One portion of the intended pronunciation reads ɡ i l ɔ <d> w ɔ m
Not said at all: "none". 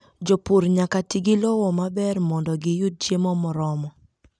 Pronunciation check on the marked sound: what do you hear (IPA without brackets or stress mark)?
none